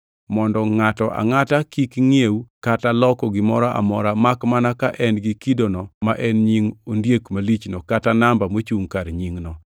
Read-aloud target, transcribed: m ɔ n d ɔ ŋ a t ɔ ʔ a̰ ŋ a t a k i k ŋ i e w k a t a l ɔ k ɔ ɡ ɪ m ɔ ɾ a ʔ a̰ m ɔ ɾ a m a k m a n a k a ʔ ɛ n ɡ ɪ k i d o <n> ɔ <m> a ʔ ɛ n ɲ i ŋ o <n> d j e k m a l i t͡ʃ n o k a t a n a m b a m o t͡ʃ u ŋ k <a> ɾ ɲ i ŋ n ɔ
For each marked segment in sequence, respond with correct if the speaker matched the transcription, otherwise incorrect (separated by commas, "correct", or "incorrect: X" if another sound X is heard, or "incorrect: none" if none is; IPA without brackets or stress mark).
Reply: correct, correct, correct, correct